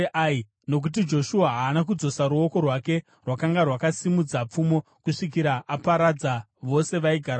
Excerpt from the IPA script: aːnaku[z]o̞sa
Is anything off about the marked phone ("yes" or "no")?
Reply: yes